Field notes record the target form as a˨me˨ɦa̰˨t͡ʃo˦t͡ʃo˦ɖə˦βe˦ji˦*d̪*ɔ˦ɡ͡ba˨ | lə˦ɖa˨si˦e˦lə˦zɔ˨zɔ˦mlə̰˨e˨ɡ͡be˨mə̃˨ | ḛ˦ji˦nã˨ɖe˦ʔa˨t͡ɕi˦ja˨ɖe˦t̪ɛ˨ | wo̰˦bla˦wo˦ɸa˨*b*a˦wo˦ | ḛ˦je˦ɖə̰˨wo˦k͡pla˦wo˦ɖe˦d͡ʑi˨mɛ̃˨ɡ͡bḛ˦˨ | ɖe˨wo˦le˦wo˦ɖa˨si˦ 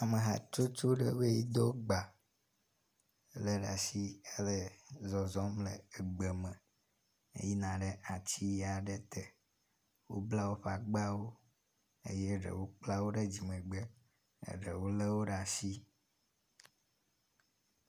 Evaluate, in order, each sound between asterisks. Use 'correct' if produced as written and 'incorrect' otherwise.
correct, incorrect: ɡ͡b

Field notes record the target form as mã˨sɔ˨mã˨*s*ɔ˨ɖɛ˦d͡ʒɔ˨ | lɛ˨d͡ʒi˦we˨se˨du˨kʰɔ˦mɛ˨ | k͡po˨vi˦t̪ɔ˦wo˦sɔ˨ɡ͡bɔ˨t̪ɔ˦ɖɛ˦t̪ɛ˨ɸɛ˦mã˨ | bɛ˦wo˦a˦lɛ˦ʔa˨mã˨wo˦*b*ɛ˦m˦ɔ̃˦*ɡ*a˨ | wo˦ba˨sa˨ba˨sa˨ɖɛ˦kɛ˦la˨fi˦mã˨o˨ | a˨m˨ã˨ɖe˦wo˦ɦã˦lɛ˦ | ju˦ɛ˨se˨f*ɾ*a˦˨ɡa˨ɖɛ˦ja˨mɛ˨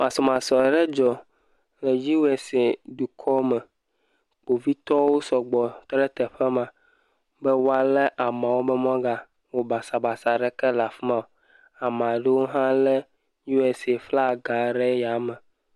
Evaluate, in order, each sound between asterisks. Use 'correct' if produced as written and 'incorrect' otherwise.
correct, correct, correct, incorrect: l

